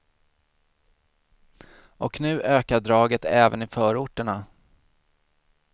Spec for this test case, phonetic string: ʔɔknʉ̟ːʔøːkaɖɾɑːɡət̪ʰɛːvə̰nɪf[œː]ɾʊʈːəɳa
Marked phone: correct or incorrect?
correct